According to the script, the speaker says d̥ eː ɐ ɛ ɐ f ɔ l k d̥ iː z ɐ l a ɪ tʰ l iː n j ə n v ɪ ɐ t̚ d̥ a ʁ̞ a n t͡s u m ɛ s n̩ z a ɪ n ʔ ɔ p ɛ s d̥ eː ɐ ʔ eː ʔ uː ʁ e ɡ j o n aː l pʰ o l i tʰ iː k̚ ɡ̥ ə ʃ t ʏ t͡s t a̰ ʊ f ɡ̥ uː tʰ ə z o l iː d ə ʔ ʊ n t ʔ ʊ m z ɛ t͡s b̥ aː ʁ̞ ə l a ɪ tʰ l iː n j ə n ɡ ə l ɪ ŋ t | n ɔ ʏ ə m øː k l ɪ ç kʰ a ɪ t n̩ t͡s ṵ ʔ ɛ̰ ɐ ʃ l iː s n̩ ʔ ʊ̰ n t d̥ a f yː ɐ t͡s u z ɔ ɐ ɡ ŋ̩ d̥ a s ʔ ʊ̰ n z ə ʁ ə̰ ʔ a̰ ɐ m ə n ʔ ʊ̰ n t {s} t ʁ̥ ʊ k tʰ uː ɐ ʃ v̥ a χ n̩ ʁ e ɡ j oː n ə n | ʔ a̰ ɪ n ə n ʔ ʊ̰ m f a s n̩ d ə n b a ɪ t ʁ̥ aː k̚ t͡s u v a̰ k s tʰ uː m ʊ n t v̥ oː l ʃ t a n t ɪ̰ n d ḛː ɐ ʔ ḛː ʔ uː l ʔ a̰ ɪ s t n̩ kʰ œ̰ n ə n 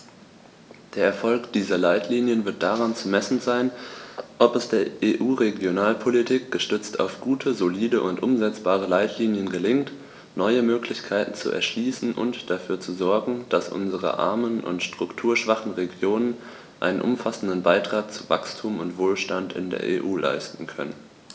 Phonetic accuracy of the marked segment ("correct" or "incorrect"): incorrect